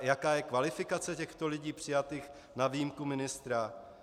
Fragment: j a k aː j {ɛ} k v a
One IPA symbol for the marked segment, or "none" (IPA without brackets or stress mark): ɛ